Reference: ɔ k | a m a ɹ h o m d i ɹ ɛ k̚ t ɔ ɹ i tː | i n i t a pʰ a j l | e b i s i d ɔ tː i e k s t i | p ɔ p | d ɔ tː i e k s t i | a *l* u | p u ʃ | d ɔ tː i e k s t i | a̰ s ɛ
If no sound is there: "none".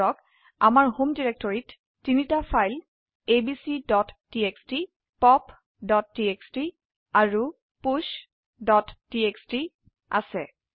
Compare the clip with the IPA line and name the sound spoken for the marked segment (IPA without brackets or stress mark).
ɹ